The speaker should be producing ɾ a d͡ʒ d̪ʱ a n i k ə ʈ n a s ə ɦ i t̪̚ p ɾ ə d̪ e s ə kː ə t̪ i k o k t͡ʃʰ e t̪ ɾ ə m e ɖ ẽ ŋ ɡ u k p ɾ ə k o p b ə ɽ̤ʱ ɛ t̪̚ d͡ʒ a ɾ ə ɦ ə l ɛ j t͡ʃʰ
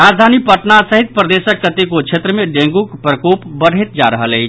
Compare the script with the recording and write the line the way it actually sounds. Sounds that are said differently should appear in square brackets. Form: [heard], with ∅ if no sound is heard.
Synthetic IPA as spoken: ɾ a d͡ʒ d̪ʱ a n i [p] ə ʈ n a s ə ɦ i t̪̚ p ɾ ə d̪ e s ə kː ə t̪ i k o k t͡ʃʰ e t̪ ɾ ə m e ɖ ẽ ŋ ɡ u k p ɾ ə k o p b ə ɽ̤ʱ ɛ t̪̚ d͡ʒ a ɾ ə ɦ ə l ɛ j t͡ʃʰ